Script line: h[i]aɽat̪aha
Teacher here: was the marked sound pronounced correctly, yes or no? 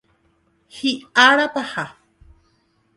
yes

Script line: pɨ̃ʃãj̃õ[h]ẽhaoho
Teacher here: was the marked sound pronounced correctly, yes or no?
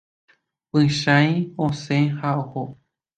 no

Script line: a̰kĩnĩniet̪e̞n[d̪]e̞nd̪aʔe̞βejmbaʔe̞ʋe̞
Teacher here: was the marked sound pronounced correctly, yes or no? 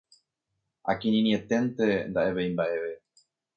no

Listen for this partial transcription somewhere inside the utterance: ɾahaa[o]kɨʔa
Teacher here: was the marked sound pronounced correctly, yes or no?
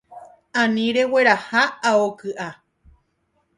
yes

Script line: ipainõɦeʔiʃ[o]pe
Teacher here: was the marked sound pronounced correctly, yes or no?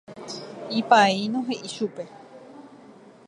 no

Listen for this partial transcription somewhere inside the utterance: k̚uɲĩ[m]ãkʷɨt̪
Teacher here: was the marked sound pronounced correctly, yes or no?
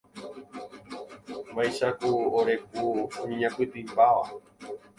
no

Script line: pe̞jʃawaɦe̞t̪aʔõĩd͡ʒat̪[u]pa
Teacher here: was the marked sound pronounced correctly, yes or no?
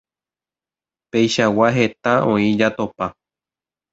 no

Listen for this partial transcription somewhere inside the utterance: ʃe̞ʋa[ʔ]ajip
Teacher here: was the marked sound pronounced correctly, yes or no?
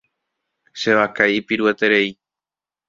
no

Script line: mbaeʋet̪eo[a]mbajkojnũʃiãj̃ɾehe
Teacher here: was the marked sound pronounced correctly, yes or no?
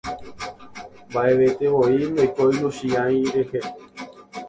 no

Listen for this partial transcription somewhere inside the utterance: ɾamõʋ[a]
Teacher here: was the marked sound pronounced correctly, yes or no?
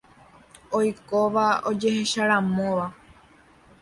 yes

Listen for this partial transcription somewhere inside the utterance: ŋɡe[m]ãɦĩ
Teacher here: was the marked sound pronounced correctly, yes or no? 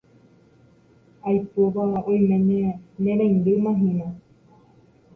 yes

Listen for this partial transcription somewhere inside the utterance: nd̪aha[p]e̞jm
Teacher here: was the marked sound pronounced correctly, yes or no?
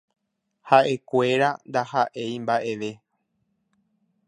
no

